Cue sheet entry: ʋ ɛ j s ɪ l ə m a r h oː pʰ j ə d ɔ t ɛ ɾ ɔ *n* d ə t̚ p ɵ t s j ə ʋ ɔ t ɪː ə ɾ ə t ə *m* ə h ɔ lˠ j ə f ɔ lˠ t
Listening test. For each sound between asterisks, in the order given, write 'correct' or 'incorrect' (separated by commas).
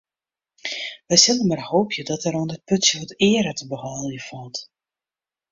correct, incorrect